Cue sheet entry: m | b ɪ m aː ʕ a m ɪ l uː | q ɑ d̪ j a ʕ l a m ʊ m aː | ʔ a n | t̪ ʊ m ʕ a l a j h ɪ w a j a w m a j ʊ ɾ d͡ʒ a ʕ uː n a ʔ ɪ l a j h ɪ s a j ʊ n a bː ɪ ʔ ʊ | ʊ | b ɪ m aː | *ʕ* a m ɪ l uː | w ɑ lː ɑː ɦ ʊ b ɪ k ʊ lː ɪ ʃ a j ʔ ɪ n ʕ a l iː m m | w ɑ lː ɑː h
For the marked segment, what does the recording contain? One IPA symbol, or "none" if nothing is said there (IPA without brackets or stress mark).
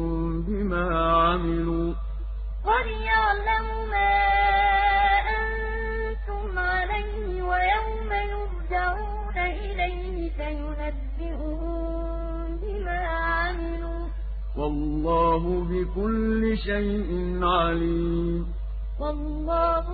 ʕ